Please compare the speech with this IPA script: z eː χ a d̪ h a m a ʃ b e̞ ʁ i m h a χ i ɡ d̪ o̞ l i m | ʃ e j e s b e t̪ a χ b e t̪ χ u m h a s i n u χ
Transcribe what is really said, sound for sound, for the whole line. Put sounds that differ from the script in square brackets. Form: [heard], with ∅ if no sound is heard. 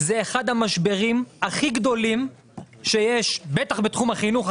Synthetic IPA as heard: z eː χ a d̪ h a m a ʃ b e̞ ʁ i m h a χ i ɡ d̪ o̞ l i m | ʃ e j e [ʃ] b e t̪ a χ b e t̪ χ u m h a [χ] i n u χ